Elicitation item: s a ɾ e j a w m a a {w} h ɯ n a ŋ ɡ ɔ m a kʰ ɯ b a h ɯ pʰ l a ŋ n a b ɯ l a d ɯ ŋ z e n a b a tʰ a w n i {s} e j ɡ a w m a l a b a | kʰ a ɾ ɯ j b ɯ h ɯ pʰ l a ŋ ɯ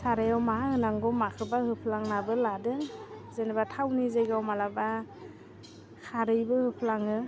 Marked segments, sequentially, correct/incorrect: incorrect, incorrect

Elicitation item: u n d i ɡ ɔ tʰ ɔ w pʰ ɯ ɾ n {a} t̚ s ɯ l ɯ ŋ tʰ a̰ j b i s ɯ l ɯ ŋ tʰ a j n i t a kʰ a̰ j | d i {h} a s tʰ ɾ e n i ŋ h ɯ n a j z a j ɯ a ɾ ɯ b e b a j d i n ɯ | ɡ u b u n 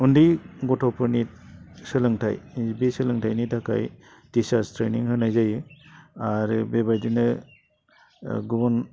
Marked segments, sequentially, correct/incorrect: incorrect, incorrect

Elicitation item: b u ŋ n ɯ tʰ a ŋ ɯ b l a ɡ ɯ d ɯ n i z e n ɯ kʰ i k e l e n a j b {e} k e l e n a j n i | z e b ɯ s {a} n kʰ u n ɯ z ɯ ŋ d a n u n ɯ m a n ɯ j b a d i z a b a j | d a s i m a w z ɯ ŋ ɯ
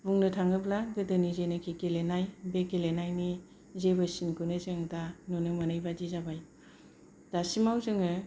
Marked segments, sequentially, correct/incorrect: correct, incorrect

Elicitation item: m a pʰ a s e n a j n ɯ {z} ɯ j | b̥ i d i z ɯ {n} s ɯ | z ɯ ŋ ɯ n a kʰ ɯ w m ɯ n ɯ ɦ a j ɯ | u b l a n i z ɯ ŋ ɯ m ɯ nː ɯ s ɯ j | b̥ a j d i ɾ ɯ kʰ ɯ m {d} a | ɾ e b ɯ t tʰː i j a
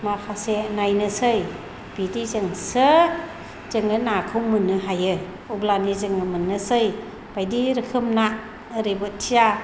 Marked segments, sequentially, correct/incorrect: incorrect, incorrect, incorrect

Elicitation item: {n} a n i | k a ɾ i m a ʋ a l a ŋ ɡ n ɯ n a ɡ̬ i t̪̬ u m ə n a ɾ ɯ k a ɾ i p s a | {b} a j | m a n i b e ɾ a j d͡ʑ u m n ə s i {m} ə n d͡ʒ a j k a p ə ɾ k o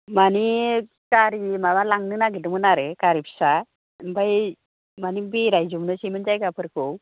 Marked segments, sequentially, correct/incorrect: incorrect, correct, correct

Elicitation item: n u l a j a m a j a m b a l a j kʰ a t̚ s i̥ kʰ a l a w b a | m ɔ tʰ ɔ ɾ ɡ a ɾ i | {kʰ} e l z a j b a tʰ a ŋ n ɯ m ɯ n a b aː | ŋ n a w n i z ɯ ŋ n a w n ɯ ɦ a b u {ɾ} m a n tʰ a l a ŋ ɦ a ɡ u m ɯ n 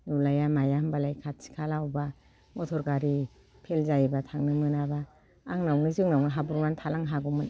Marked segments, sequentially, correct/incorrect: incorrect, correct

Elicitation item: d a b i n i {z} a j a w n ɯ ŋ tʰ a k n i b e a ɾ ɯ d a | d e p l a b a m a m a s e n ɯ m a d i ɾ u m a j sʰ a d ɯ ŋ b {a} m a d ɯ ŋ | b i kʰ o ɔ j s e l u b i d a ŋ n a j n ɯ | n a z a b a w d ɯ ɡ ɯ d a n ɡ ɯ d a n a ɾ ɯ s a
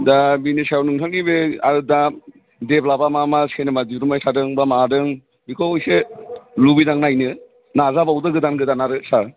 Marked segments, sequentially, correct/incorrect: incorrect, correct

